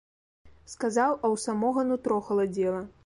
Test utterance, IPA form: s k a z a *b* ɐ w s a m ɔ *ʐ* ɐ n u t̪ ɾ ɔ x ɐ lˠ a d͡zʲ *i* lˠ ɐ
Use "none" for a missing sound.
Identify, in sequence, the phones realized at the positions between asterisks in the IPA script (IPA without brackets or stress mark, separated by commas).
w, ɣ, ɛ